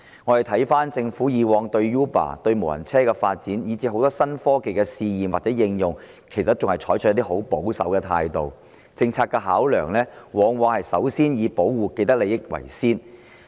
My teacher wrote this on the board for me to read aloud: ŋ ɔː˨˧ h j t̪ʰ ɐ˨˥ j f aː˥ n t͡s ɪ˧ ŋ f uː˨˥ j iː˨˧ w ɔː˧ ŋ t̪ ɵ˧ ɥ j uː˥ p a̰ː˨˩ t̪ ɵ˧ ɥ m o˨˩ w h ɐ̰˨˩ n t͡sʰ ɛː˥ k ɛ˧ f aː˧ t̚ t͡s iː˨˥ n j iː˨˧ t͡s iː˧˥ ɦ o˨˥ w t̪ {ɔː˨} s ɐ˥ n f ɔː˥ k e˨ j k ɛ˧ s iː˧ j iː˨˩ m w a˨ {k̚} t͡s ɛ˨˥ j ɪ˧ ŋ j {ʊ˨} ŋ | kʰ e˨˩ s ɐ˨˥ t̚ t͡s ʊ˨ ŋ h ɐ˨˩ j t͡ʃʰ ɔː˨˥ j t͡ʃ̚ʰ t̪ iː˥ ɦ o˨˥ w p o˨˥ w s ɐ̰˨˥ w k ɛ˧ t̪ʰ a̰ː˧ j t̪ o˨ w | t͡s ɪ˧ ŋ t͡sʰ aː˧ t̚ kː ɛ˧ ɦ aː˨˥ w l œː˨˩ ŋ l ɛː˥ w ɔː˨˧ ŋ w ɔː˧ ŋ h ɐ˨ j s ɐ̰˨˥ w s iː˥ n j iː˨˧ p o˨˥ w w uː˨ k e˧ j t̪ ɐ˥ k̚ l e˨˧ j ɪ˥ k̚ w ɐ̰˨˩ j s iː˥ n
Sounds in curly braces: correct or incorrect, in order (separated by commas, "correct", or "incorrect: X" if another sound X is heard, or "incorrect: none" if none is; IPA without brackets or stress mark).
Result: incorrect: ɔː˥, incorrect: t̚, correct